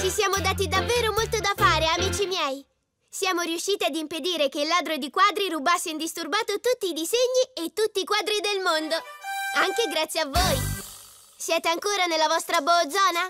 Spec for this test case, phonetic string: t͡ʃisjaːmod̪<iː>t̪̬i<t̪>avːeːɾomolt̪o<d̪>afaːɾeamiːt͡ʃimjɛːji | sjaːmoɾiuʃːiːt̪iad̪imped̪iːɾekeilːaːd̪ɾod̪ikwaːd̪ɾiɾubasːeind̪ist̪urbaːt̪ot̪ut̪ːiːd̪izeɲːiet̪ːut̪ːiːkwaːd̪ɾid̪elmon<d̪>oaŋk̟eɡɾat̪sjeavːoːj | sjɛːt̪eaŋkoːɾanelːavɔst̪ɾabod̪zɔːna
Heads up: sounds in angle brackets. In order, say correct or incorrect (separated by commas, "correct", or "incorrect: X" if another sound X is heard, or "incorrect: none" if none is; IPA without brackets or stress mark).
incorrect: aː, incorrect: d̪, correct, correct